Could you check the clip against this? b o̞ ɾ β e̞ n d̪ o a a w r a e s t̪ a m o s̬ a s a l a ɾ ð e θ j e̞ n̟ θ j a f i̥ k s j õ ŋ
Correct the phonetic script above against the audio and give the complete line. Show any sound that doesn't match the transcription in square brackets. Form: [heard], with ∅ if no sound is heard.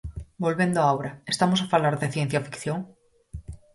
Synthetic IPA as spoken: b o̞ [l] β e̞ n d̪ o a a w [ɾ] a e s t̪ a m o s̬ a [f] a l a ɾ ð e θ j e̞ n̟ θ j a f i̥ k [θ] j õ ŋ